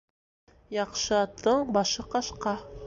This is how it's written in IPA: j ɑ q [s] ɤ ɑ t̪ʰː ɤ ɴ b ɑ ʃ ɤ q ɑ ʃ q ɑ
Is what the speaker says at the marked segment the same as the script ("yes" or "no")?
no